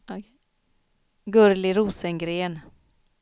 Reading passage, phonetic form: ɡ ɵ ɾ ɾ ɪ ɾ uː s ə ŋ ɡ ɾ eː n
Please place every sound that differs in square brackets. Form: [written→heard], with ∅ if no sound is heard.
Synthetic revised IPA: ɡ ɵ ɾ [ɾ→l] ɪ ɾ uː s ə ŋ ɡ ɾ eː n